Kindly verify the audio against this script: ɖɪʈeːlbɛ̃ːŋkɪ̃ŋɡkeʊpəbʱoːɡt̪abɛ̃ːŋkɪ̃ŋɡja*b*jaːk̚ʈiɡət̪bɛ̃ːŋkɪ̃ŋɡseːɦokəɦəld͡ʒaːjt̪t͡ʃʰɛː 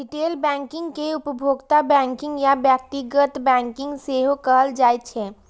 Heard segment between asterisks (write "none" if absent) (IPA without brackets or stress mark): b